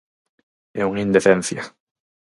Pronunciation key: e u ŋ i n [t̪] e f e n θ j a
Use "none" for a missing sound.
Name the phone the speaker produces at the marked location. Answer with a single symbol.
d̪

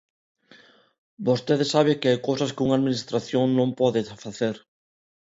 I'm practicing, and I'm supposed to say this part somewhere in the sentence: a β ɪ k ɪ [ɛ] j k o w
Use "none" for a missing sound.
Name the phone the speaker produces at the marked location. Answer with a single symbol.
a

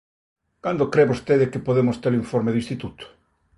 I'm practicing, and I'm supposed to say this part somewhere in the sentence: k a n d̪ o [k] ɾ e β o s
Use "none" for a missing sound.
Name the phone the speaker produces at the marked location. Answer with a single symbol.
k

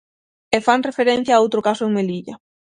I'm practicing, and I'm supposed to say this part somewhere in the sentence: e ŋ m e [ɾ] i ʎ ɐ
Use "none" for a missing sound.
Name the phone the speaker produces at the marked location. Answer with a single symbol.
l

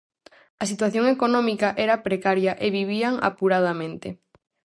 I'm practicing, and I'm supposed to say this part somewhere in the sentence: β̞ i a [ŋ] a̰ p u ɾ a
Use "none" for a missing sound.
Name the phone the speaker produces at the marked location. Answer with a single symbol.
ŋ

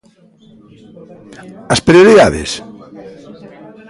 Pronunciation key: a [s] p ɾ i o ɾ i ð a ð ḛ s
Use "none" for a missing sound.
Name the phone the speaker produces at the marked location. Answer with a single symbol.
s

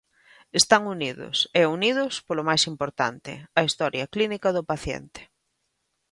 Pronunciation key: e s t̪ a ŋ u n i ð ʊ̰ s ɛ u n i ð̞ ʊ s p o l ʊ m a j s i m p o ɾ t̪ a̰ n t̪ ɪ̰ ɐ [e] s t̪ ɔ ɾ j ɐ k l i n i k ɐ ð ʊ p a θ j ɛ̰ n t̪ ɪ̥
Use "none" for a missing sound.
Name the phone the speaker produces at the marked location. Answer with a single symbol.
i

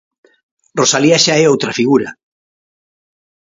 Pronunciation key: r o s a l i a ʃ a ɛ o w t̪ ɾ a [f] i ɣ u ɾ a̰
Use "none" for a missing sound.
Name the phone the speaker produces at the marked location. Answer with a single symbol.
f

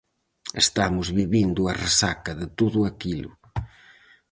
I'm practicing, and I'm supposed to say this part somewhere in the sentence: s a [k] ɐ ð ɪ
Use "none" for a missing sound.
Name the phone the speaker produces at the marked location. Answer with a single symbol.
k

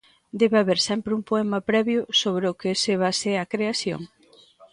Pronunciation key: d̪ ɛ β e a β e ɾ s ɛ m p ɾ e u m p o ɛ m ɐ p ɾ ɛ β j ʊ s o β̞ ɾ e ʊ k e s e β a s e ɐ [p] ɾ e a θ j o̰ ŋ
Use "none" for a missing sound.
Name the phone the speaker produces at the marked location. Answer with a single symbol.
k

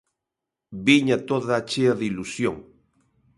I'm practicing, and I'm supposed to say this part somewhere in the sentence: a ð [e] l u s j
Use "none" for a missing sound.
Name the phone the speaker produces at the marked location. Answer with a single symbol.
i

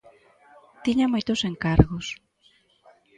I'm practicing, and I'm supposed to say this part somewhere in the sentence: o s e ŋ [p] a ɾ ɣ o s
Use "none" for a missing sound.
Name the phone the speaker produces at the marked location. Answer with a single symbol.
k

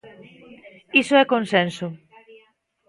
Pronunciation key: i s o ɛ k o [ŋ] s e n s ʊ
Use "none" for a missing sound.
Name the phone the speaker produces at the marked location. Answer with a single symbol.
n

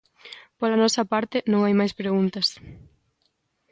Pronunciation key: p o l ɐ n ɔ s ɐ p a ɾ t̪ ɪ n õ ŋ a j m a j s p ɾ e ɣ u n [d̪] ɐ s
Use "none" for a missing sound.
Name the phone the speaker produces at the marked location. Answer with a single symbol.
t̪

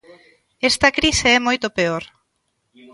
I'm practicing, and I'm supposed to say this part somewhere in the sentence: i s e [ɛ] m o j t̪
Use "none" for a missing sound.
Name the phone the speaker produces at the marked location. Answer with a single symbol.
ɛ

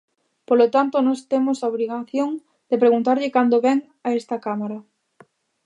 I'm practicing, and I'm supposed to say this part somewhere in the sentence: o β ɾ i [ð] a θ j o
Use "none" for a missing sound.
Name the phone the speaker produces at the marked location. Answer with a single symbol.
ɣ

